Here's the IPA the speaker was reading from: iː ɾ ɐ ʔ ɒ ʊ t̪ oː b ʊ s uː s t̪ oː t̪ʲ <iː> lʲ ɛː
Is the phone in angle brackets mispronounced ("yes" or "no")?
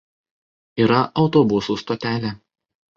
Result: yes